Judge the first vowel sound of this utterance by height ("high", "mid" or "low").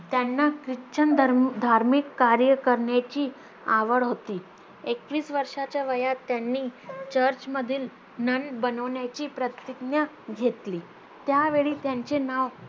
low